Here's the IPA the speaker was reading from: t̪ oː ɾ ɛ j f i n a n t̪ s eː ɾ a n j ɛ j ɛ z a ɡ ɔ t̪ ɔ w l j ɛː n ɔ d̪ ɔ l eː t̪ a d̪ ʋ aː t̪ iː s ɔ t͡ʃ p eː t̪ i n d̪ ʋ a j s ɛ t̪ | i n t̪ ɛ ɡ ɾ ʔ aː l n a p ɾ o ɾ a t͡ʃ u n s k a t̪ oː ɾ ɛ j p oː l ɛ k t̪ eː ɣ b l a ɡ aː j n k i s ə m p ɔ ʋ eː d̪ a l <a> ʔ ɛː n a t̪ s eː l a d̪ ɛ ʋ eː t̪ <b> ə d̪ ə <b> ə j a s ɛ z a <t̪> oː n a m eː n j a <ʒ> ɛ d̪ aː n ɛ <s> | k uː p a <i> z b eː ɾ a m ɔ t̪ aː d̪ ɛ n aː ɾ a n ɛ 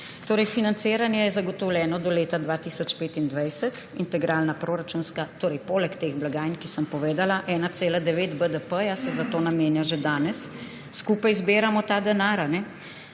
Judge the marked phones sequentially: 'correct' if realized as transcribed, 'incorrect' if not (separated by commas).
correct, correct, incorrect, correct, correct, incorrect, incorrect